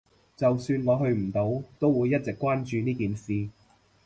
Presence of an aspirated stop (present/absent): absent